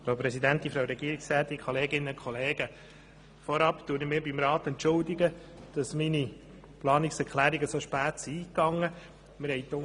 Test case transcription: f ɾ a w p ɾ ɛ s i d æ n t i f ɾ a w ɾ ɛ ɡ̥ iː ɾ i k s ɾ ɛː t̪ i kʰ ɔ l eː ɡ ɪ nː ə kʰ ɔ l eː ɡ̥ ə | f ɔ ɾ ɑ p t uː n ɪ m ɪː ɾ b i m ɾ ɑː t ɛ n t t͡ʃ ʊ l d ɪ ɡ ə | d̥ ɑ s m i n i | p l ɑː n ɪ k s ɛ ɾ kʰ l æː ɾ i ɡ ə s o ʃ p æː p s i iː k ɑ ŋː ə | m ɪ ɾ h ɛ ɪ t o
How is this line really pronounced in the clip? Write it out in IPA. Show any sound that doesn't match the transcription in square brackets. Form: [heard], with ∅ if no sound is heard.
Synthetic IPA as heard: f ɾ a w p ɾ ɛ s i d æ n t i f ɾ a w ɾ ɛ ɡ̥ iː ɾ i k s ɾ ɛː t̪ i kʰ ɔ l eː ɡ ɪ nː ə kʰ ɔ l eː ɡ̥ ə | f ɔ ɾ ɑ p t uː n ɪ m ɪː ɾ b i m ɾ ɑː t ɛ n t t͡ʃ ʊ l d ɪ ɡ ə | d̥ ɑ s m i n i | p l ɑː n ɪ k s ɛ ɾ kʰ l æː ɾ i ɡ ə s o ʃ p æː [t] s i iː k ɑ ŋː ə | m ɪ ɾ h ɛ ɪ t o